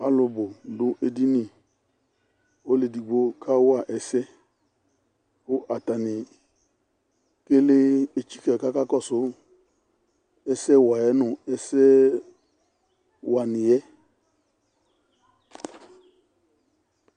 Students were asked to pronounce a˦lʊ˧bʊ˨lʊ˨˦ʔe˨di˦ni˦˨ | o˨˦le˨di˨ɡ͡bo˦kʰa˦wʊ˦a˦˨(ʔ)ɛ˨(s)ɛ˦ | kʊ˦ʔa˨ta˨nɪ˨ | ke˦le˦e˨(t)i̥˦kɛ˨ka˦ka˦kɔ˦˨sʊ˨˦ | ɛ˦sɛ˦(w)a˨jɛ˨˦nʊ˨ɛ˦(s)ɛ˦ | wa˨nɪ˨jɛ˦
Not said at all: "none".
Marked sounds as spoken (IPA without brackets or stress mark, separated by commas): ʔ, s, t͡ʃ, w, s